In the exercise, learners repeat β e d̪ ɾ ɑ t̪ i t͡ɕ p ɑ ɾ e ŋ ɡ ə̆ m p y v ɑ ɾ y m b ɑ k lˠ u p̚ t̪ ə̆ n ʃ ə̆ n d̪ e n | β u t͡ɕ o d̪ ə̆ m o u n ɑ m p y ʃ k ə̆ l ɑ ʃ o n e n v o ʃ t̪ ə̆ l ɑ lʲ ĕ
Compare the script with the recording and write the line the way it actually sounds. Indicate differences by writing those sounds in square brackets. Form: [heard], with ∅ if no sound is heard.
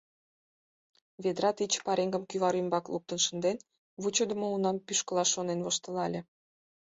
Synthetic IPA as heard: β e d̪ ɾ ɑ t̪ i t͡ɕ p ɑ ɾ e ŋ ɡ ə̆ m [k] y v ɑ ɾ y m b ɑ k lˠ u p̚ t̪ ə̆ n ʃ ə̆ n d̪ e n | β u t͡ɕ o d̪ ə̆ m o u n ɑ m p y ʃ k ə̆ l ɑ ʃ o n e n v o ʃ t̪ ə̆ l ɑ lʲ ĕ